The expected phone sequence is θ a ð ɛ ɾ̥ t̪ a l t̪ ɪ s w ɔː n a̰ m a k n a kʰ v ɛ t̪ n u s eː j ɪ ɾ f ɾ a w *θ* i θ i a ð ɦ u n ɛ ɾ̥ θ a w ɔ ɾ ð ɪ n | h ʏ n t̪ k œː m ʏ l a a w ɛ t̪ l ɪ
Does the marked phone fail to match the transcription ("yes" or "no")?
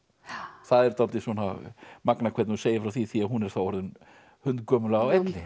no